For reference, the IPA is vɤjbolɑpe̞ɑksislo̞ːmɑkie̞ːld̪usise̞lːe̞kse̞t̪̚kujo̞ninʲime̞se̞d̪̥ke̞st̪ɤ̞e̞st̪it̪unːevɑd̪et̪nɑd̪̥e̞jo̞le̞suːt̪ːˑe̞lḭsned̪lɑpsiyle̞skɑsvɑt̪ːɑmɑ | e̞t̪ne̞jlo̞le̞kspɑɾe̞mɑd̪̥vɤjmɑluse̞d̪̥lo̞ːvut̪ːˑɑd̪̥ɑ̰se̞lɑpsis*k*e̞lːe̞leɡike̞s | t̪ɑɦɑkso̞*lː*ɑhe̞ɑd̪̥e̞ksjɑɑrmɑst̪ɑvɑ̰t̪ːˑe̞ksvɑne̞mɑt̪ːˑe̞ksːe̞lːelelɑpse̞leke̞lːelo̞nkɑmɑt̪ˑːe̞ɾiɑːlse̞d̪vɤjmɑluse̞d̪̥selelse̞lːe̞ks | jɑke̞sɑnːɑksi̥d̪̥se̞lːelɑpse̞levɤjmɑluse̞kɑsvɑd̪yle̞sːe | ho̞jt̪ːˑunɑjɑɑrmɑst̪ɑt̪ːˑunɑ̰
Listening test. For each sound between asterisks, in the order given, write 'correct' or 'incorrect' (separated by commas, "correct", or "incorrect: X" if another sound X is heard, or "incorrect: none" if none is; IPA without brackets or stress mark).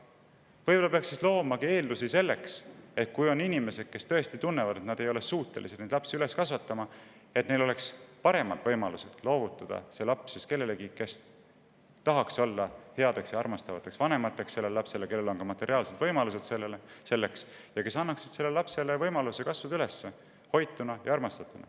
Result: correct, correct